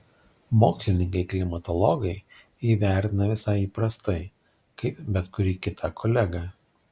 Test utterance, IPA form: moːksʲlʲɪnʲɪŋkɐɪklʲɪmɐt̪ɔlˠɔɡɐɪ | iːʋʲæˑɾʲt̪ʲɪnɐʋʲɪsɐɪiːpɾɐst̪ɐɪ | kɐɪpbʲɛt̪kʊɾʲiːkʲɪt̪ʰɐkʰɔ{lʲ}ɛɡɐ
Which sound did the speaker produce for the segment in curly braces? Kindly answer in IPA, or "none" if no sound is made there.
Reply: lʲ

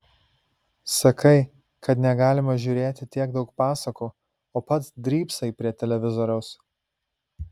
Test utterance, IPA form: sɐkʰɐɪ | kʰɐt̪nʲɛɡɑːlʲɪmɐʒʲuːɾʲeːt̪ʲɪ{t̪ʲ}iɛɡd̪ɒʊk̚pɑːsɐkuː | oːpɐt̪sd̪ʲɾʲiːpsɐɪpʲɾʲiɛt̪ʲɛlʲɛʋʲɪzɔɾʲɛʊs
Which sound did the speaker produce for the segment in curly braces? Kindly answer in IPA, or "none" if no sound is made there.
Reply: t̪ʲ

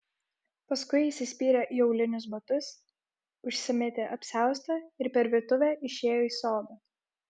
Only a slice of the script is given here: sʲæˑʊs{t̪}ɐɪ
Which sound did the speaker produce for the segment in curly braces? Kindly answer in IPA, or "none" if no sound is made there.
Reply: t̪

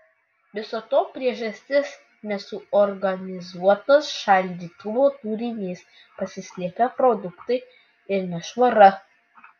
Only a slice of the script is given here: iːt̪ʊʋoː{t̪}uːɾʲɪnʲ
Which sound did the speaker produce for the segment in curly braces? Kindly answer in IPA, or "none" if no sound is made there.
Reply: t̪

